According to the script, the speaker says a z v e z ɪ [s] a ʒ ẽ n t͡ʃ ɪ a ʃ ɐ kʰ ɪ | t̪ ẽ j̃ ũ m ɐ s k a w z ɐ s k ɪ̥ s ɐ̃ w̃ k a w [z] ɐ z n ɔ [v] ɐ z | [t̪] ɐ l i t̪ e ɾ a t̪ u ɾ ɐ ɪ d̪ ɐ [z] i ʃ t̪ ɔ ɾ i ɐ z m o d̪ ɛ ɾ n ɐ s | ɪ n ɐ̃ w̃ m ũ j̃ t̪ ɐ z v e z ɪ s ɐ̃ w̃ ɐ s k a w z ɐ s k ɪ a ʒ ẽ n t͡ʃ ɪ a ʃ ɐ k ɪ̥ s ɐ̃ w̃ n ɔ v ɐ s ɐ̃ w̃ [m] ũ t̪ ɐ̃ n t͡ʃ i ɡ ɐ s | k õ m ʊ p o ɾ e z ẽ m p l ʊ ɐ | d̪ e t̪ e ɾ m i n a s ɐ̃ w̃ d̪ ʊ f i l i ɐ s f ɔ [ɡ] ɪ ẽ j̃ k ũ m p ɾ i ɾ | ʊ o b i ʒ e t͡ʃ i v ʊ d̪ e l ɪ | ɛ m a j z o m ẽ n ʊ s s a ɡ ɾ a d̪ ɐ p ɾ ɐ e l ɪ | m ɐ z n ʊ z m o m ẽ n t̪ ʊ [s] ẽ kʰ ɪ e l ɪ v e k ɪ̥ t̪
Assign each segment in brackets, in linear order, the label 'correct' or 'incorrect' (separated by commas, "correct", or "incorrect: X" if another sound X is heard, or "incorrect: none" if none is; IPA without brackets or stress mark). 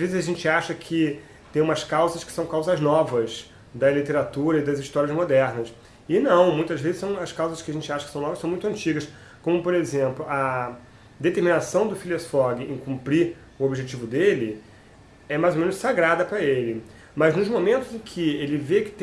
incorrect: z, correct, correct, incorrect: d̪, correct, correct, correct, incorrect: z